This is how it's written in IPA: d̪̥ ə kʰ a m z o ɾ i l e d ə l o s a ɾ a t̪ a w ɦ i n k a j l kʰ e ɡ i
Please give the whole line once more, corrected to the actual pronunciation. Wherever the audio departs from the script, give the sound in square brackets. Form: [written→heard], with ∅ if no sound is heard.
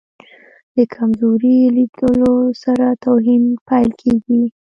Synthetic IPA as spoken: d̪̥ ə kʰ a m z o ɾ i l [e→i] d ə l o s a ɾ a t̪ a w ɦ i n [k→p] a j l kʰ e ɡ i